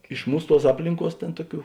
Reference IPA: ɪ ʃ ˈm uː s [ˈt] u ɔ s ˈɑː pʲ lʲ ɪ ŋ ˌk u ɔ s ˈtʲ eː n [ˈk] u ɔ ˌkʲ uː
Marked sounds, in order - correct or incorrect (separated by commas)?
correct, incorrect